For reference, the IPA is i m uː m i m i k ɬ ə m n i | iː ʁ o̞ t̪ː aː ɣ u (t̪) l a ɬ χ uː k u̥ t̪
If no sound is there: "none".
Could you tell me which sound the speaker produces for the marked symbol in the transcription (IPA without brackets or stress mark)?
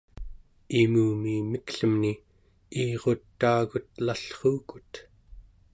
t̪